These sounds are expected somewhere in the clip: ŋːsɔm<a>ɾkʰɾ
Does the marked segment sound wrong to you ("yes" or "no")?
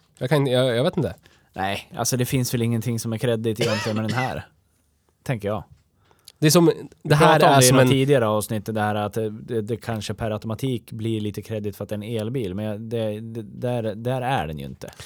yes